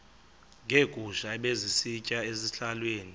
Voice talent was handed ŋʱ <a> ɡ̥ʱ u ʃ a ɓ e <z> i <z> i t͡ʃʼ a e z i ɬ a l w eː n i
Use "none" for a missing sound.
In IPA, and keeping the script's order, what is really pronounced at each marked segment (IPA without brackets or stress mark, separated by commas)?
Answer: e, z, s